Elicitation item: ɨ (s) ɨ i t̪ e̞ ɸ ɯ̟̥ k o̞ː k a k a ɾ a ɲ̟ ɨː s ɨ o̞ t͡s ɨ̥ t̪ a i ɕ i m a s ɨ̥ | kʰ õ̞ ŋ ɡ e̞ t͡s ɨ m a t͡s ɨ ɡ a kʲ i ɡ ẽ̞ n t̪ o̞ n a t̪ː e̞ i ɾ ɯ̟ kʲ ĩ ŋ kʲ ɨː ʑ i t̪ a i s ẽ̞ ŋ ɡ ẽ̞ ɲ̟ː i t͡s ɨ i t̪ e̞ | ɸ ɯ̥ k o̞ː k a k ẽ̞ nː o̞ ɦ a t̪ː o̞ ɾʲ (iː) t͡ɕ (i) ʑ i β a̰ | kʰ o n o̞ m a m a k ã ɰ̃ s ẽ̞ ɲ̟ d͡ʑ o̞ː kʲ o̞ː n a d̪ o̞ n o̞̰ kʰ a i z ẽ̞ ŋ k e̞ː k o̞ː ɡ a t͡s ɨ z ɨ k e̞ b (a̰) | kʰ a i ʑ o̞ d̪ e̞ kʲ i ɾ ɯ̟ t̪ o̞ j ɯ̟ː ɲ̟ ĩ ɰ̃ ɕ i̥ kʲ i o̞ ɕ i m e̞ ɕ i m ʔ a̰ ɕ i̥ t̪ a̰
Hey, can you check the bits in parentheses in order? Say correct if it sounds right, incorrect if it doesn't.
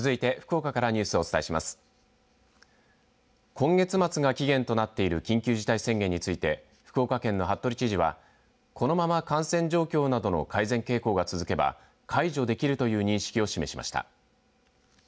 incorrect: z, incorrect: i, correct, correct

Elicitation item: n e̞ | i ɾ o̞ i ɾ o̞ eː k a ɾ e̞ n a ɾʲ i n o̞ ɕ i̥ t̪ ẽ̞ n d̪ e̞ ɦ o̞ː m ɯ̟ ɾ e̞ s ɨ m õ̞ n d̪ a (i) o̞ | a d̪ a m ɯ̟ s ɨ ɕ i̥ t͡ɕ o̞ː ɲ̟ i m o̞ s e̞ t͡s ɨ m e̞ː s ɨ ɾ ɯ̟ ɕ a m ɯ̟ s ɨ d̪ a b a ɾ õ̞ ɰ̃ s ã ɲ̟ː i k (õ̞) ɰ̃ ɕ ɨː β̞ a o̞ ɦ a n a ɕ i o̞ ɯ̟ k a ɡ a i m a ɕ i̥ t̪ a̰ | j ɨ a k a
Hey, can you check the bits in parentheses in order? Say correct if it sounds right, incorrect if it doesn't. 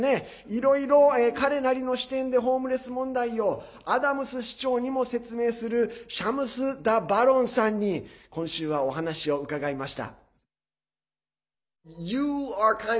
correct, correct

